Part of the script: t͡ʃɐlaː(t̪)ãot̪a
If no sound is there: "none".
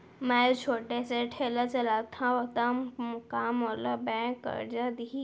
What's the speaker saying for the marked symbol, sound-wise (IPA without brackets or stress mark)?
t̪ʰ